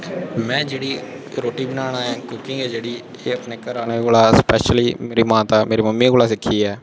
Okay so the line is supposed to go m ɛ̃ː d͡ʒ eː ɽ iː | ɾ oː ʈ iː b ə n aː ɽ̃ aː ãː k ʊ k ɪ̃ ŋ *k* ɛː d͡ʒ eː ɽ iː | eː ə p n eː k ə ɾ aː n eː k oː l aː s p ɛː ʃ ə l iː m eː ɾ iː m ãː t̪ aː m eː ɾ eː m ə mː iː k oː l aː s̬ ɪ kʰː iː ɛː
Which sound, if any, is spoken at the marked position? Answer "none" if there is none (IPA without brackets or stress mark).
ɡ